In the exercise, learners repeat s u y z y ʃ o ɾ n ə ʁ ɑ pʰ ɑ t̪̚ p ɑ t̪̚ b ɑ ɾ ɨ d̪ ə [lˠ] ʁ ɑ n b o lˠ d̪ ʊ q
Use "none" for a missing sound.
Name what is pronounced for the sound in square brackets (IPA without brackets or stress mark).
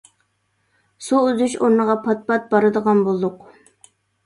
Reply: none